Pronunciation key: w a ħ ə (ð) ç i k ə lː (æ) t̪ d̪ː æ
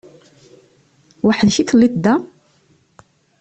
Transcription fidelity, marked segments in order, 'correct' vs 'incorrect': correct, incorrect: i

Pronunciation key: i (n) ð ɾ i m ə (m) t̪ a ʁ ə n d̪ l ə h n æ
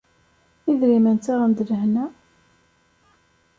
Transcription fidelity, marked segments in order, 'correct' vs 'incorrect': incorrect: none, incorrect: n

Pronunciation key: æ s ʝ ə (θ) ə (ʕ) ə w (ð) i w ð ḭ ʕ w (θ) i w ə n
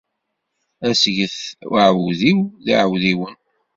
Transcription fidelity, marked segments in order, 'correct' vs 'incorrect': correct, correct, correct, incorrect: ð

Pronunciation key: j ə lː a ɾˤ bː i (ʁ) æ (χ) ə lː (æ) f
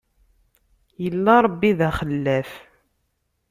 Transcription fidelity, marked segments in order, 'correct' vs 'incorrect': incorrect: ð, correct, correct

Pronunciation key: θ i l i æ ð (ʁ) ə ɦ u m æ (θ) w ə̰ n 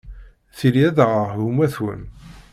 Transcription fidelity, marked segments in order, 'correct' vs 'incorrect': correct, correct

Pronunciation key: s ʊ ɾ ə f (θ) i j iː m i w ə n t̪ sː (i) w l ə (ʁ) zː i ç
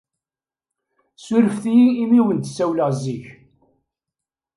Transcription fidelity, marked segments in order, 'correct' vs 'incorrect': correct, incorrect: æ, correct

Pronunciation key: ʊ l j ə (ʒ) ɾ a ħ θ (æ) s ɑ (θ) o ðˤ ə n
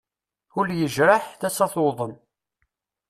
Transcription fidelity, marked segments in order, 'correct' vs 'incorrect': correct, correct, correct

